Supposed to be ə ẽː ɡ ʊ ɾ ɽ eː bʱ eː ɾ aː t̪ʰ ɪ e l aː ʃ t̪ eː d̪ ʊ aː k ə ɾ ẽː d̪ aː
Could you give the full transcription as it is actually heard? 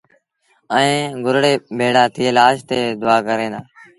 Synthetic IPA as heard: ə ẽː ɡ ʊ ɾ ɽ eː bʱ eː ɽ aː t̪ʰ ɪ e l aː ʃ t̪ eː d̪ ʊ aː k ə ɾ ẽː d̪ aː